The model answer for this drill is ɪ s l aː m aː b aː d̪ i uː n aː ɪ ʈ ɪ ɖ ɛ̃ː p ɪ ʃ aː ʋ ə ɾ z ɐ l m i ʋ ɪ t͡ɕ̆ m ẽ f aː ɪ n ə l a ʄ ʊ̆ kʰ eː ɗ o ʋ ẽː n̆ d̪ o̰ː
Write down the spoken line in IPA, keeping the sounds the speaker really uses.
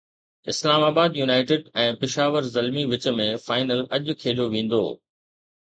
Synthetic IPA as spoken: ɪ s l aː m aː b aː d̪ j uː n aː ɪ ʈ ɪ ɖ ɛ̃ː p ɪ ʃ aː ʋ ə ɾ z ɐ l m i ʋ ɪ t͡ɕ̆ m ẽ f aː ɪ n ə l ɐ ʄ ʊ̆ kʰ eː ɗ o ʋ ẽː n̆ d̪ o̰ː